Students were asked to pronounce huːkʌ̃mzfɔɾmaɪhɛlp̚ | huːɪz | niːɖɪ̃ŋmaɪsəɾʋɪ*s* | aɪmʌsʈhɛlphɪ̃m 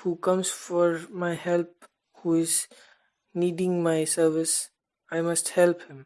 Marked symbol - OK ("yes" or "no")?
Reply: yes